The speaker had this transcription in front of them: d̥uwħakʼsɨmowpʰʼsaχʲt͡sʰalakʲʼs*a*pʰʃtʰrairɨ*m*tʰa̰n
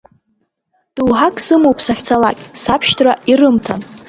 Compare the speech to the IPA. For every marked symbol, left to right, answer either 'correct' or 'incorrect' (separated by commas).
correct, correct